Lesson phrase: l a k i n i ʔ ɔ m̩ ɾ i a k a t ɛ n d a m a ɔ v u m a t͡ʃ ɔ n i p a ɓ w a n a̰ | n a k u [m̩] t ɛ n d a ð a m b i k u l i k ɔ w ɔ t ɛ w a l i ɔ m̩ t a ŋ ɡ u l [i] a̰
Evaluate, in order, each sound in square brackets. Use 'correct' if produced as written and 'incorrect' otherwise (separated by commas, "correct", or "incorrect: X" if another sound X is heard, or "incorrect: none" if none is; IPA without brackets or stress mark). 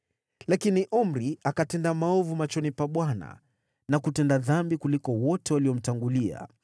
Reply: incorrect: none, correct